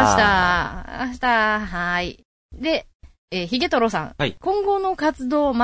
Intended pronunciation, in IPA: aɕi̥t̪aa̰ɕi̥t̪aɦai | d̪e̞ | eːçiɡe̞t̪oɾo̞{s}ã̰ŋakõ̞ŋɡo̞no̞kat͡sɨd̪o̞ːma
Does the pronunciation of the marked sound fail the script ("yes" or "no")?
no